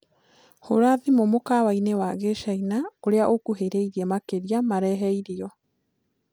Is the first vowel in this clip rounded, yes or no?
yes